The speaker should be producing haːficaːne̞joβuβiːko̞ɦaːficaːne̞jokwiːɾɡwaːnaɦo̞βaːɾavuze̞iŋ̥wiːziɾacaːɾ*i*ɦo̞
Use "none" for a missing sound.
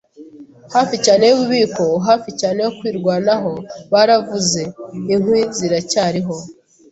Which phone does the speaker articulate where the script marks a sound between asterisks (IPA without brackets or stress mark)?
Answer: i